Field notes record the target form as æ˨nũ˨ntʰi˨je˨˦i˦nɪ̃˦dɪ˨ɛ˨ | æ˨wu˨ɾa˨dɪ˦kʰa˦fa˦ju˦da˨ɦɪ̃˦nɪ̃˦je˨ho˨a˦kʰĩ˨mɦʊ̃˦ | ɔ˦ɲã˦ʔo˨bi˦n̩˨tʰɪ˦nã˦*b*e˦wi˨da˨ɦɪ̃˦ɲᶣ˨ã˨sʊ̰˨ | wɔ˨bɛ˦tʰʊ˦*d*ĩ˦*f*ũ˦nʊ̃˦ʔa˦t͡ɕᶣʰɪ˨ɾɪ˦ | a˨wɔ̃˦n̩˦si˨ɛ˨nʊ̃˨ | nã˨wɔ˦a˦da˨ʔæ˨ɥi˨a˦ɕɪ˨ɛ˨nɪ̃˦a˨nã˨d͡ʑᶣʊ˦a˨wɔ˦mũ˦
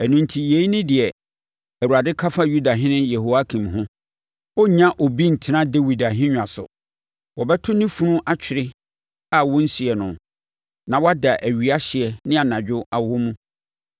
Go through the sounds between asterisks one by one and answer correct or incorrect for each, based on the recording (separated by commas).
incorrect, incorrect, correct